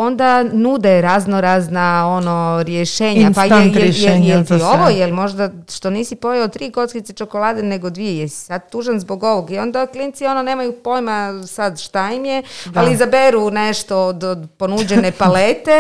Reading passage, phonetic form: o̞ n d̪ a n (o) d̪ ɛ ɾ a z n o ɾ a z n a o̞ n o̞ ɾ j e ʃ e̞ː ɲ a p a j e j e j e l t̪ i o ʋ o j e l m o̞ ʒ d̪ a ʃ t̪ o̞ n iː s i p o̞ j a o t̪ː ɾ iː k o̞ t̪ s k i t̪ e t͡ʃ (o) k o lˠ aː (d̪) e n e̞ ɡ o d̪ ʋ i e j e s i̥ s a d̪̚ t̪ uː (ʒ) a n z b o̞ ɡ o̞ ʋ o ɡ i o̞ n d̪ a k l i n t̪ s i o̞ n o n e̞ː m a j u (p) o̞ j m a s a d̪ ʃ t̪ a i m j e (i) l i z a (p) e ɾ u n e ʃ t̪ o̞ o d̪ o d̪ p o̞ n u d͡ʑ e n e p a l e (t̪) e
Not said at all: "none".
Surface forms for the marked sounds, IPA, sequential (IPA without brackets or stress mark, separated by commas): u, o, d̪, ʒ, p, a, b, t̪